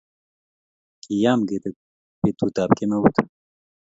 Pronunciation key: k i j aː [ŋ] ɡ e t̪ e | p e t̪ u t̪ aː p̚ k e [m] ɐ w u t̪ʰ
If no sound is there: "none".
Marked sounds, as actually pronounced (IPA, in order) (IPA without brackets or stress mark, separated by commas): m, m